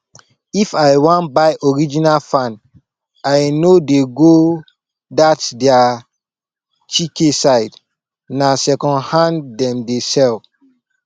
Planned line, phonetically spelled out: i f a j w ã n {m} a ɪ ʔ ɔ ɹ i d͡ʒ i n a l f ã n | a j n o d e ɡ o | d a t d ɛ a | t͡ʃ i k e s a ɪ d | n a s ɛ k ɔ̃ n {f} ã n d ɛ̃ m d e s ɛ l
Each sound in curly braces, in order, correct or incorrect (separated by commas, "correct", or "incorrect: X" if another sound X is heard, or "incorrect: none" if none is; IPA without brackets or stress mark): incorrect: b, incorrect: h